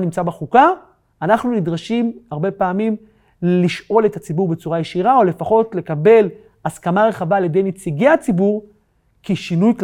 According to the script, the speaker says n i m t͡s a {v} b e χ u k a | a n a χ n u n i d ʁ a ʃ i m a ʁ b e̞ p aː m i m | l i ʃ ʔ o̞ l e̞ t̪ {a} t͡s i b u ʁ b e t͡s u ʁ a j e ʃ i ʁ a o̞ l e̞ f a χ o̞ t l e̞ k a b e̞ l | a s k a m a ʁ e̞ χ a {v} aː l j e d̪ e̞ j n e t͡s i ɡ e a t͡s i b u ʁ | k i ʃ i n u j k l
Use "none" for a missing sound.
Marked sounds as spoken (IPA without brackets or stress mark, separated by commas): none, a, v